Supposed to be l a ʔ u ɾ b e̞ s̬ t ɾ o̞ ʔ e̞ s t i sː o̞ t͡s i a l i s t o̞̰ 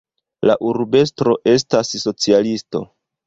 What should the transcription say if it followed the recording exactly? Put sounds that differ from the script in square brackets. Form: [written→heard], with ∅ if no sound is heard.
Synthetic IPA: l a ʔ u ɾ b e̞ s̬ t ɾ o̞ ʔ e̞ s t [i→a] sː o̞ t͡s i a l i s t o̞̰